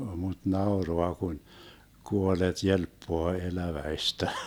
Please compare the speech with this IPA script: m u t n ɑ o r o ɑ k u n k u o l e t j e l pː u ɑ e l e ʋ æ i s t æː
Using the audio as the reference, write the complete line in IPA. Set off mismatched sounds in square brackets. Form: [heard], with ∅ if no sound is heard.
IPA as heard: m u t n ɑ o r o ɑ k u n k u o l e t j e l pː [o] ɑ e l [æ] ʋ æ i s t [æ]